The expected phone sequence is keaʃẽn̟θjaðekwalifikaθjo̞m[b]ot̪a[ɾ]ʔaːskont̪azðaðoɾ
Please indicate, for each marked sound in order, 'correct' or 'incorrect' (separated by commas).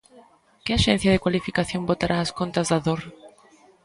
correct, correct